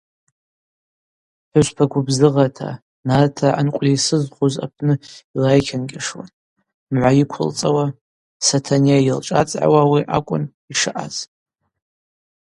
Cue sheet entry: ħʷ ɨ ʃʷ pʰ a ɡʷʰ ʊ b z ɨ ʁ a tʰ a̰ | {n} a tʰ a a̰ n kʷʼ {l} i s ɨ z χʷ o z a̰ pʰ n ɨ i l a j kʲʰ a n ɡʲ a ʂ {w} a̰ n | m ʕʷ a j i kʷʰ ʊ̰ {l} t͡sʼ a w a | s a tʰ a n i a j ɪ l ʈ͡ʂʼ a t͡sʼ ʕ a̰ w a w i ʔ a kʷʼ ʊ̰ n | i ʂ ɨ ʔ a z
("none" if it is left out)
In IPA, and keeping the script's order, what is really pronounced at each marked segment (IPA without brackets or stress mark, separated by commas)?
n, l, w, l